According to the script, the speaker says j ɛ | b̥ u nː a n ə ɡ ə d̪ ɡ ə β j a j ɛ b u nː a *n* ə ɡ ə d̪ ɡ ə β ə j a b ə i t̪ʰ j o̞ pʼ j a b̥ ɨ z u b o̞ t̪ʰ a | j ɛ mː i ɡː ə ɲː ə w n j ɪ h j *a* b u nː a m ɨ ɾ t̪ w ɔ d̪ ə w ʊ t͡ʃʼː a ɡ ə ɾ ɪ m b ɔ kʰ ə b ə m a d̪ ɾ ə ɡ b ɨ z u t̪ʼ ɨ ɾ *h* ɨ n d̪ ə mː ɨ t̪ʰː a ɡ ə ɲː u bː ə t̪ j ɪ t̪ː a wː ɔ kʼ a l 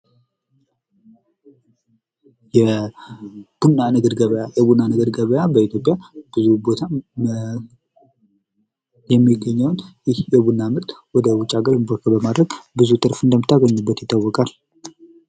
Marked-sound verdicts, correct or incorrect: correct, incorrect: ɛ, incorrect: f

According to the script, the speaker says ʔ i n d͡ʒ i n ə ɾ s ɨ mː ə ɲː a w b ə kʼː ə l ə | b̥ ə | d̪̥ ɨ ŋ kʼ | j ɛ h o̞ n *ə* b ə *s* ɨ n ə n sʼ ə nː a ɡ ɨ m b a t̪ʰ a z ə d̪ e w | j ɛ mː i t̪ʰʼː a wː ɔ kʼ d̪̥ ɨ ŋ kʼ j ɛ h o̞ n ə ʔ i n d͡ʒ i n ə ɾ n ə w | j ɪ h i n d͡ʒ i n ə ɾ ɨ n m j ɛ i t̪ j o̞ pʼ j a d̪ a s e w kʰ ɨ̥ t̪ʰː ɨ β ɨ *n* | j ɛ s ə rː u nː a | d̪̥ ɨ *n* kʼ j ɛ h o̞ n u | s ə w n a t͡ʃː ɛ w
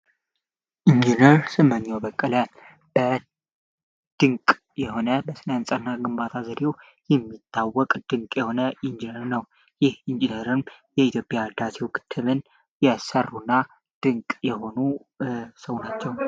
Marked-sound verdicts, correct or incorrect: correct, correct, correct, incorrect: ŋ

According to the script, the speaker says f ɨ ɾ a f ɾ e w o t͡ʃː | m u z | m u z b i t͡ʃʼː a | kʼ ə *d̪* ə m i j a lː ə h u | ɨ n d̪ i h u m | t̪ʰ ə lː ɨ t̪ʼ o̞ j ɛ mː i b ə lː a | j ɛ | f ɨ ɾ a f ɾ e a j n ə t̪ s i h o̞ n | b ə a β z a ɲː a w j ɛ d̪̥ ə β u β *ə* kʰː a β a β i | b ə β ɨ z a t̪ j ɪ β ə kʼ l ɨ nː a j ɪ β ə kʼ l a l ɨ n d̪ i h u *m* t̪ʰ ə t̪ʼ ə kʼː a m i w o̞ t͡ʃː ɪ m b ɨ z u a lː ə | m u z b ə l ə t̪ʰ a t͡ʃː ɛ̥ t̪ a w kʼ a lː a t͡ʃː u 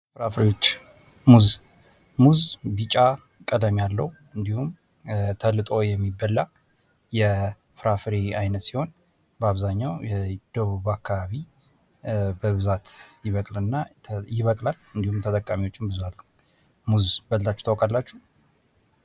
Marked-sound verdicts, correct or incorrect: correct, incorrect: a, correct

